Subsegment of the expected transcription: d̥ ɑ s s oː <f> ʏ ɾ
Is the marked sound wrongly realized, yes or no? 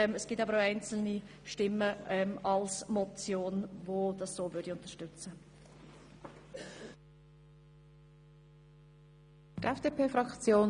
yes